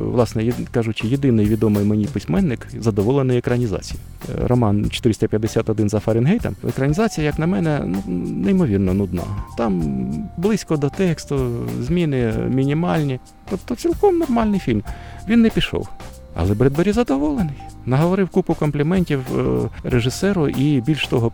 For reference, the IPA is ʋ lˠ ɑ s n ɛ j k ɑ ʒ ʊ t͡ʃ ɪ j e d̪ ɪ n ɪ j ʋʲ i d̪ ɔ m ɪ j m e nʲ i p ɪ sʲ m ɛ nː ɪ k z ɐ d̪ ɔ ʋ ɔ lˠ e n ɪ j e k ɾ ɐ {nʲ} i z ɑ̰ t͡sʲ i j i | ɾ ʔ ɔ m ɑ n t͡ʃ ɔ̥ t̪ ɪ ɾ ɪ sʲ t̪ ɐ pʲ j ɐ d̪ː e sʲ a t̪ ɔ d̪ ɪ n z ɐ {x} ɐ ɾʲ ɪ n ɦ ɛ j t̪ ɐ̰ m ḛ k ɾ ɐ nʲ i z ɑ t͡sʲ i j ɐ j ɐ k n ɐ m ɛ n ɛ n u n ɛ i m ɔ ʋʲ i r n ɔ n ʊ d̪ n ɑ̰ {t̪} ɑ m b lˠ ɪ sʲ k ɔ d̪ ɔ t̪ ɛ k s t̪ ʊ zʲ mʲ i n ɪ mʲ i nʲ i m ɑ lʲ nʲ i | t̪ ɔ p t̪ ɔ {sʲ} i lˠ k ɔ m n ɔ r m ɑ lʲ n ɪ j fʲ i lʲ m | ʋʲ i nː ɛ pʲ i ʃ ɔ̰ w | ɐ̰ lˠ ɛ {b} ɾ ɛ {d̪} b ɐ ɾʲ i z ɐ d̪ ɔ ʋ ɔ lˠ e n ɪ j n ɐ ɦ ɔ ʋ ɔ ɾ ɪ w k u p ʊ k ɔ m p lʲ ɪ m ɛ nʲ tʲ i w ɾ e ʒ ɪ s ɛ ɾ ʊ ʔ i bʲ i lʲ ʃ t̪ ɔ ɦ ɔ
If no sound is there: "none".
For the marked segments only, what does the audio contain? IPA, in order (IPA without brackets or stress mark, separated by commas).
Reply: nʲ, f, t̪, t͡sʲ, b, d̪